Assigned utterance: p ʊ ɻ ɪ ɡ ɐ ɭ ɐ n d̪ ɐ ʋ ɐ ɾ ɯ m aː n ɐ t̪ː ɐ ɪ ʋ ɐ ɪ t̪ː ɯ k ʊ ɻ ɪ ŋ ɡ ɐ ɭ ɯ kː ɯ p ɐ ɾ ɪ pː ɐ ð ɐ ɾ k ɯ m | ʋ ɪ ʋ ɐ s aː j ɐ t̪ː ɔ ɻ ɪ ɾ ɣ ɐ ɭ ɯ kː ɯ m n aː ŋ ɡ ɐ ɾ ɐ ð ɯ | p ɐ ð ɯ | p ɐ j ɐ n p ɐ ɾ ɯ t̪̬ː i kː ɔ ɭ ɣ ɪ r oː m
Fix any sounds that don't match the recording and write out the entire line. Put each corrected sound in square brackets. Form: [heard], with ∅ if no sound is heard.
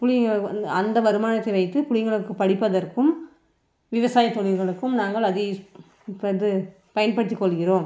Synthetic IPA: p ʊ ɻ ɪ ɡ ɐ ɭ ɐ n d̪ ɐ ʋ ɐ ɾ ɯ m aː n ɐ t̪ː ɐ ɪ ʋ ɐ ɪ t̪ː ɯ [p] ʊ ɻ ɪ ŋ ɡ ɐ ɭ ɯ kː ɯ p ɐ [ɽ] ɪ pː ɐ ð ɐ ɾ k ɯ m | ʋ ɪ ʋ ɐ s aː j ɐ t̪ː ɔ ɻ ɪ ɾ ɣ ɐ ɭ ɯ kː ɯ m n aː ŋ ɡ ɐ [ɭ] ɐ ð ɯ | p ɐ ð ɯ | p ɐ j ɐ n p ɐ [ɽ] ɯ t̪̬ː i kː ɔ ɭ ɣ ɪ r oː m